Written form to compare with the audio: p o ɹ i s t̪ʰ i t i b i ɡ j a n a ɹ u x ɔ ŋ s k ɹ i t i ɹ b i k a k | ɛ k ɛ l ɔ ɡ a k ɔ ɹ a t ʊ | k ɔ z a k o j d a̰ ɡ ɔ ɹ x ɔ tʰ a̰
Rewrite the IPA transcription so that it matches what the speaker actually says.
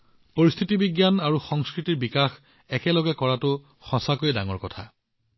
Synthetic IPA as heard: p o ɹ i s t̪ʰ i t i b i ɡ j a n a ɹ u x ɔ ŋ s k ɹ i t i ɹ b i k a x | ɛ k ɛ l ɔ ɡ ɛ k ɔ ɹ a t ʊ | x ɔ s a k o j d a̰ ŋ ɔ ɹ k ɔ tʰ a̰